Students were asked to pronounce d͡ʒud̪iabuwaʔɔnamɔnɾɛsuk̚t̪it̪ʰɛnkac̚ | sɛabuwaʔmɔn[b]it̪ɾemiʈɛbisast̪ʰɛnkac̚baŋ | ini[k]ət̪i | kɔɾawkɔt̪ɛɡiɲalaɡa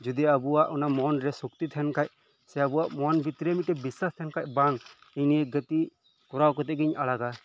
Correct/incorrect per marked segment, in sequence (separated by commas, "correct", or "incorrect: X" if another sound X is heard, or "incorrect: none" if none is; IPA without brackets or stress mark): correct, incorrect: ɡ